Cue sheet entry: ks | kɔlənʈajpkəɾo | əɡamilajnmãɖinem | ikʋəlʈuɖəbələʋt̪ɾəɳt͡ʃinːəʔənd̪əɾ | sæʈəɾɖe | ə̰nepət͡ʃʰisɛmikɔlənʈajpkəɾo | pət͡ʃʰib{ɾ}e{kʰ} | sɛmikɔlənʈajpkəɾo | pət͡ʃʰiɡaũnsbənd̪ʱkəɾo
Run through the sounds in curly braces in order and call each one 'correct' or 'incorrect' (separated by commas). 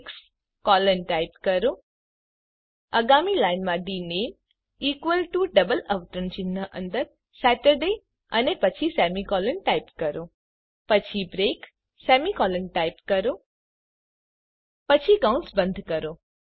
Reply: correct, incorrect